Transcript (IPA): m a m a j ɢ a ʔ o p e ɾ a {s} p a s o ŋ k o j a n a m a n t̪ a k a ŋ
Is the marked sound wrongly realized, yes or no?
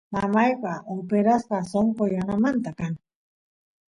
no